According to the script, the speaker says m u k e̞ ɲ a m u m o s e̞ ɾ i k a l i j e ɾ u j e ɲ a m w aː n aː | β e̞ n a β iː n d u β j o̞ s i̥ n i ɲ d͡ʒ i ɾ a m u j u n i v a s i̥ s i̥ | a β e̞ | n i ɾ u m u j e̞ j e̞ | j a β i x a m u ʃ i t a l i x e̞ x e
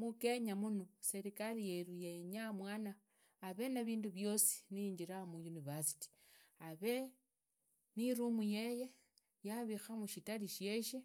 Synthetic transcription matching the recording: m u k e̞ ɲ a m u n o s e̞ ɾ i k a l i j e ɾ u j e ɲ a m w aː n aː | β e̞ n a β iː n d u β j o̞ s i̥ n i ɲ d͡ʒ i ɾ a m u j u n i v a s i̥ t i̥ | a β e̞ | n i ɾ u m u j e̞ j e̞ | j a β i x a m u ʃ i t a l i ʃ e̞ ʃ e